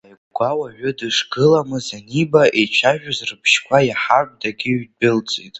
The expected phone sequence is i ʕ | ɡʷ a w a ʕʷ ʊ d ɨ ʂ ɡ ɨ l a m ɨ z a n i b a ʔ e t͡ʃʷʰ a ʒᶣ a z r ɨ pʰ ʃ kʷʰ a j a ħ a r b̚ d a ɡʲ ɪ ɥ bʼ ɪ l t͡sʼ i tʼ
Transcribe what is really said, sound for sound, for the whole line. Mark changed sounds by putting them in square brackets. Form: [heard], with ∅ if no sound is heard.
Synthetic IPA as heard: [a] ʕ | ɡʷ a w a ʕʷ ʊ d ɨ ʂ ɡ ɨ l a m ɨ z a n i b a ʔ e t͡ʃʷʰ a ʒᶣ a z r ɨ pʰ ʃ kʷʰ a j a ħ a r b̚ d a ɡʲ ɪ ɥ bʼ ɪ l t͡sʼ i tʼ